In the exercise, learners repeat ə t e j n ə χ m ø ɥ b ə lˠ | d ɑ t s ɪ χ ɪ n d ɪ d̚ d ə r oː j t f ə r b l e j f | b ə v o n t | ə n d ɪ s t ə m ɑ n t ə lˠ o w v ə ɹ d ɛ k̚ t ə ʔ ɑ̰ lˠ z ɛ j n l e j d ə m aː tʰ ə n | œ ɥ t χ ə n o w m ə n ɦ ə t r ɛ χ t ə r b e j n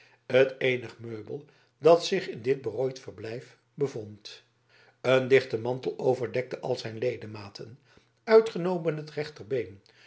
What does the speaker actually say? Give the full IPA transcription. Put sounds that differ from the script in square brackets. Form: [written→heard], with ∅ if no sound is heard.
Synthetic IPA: ə t e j n ə χ m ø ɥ b ə lˠ | d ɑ t s ɪ χ ɪ n d ɪ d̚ [d→b] ə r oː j t f ə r b l [e→ɛ] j f | b ə v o n t | ə n d ɪ [s→χ] t ə m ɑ n t ə lˠ o w v ə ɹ d ɛ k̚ t ə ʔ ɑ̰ lˠ z ɛ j n l e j d ə m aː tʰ ə n | œ ɥ t χ ə n o w m ə n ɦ ə t r ɛ χ t ə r b e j n

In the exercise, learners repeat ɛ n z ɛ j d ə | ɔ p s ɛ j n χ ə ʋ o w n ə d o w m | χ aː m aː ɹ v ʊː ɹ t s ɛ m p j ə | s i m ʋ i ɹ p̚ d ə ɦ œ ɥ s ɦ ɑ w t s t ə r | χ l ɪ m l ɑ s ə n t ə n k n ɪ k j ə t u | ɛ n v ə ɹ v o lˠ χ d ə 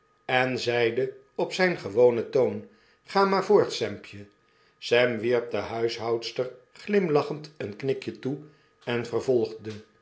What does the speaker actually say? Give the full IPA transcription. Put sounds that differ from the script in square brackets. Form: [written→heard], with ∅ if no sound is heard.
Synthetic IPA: ɛ n z ɛ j d ə | ɔ p s ɛ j n χ ə ʋ o w n ə [d→t] o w [m→n] | χ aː m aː ɹ v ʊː ɹ t s ɛ m p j ə | s [i→ɛ] m ʋ i ɹ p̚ d ə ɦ œ ɥ s ɦ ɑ w t s t ə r | χ l ɪ m l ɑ [s→χ] ə n t ə n k n ɪ k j ə t u | ɛ n v ə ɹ v [o→ɔ] lˠ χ d ə

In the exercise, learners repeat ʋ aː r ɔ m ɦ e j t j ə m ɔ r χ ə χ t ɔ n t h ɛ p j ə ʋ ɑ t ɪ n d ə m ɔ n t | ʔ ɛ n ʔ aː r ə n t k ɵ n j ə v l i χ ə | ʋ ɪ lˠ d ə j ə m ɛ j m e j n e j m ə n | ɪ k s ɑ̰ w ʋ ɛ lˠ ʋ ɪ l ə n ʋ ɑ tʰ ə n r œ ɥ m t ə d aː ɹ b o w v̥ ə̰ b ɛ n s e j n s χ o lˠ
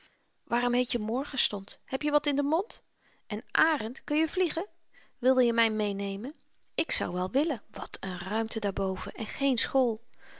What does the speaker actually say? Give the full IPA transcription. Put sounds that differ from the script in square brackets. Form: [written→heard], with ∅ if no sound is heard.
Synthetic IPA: ʋ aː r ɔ m ɦ e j t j ə m ɔ [r→ɹ] χ ə [χ→s] t ɔ n t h ɛ p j ə ʋ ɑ t ɪ n d ə m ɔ n t | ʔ ɛ n ʔ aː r ə n t k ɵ n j ə v l i χ ə | ʋ ɪ lˠ d ə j ə m ɛ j m e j n e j m ə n | ɪ k s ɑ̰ w ʋ ɛ lˠ ʋ ɪ l ə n ʋ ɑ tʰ ə n r œ ɥ m t ə d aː ɹ b o w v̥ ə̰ [b→∅] ɛ n [s→χ] e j n s χ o lˠ

